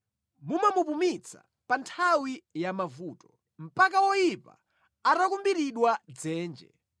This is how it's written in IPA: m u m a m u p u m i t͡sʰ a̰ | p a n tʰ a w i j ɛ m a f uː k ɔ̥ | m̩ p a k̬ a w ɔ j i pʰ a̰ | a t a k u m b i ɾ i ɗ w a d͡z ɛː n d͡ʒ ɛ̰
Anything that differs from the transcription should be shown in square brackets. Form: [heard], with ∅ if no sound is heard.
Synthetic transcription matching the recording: m u m a m u p u m i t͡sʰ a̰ | p a n tʰ a w i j [a] m a [v] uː [t] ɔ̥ | m̩ p a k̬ a w ɔ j i [p] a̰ | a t a k u m b i ɾ i ɗ w a d͡z ɛː n d͡ʒ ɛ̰